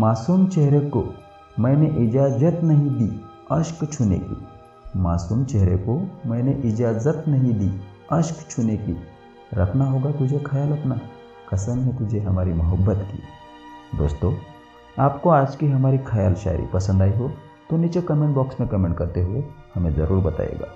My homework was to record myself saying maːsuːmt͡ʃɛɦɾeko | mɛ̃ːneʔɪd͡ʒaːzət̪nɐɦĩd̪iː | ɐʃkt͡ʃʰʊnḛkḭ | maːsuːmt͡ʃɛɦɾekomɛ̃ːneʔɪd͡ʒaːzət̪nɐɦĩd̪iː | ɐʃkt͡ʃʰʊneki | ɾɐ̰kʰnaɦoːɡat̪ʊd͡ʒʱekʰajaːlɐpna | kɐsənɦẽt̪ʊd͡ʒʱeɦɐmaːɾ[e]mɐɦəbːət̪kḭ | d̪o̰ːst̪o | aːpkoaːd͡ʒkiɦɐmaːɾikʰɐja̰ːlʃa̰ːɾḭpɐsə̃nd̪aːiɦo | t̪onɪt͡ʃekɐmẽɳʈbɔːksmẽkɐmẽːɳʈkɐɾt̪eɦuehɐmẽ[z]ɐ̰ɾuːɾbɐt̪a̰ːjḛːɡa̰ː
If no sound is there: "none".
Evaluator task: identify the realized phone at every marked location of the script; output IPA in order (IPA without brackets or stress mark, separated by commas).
i, z